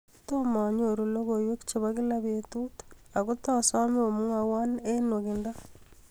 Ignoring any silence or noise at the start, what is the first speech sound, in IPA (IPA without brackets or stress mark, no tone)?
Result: t